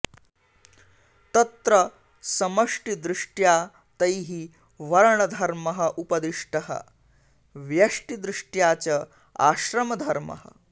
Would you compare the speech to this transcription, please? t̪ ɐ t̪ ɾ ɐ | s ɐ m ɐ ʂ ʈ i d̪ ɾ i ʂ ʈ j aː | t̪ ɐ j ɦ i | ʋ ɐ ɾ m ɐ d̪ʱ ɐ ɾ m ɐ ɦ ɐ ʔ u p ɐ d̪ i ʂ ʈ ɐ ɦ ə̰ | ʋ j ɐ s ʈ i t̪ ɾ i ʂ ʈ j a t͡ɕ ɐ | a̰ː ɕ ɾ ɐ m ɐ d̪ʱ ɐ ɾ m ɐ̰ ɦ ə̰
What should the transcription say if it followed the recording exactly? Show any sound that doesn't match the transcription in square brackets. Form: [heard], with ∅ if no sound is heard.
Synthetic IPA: t̪ ɐ t̪ ɾ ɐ | s ɐ m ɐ ʂ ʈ i d̪ ɾ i ʂ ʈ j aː | t̪ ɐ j ɦ i | ʋ ɐ ɾ [ɳ] ɐ d̪ʱ ɐ ɾ m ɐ ɦ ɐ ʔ u p ɐ d̪ i ʂ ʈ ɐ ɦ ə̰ | ʋ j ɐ [ʂ] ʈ i [d̪] ɾ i ʂ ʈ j a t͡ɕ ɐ | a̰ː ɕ ɾ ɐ m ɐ d̪ʱ ɐ ɾ m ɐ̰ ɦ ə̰